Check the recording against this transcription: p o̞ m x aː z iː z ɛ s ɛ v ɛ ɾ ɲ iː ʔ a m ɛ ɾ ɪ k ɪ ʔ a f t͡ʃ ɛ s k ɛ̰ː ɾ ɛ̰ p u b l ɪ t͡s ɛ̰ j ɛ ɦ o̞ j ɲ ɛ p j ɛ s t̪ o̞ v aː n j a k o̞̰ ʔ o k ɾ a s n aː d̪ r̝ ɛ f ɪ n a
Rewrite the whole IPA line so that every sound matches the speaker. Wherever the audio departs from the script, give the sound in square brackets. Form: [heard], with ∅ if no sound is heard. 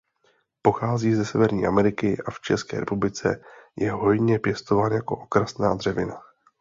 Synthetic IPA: p o̞ [∅] x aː z iː z ɛ s ɛ v ɛ ɾ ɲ iː ʔ a m ɛ ɾ ɪ k ɪ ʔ a f t͡ʃ ɛ s k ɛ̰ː ɾ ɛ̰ p u b l ɪ t͡s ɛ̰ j ɛ ɦ o̞ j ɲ ɛ p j ɛ s t̪ o̞ v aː n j a k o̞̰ ʔ o k ɾ a s n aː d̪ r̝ ɛ [v] ɪ n a